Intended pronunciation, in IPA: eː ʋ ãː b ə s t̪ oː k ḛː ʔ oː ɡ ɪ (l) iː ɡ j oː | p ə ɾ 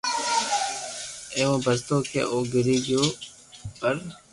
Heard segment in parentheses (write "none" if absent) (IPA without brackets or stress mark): ɾ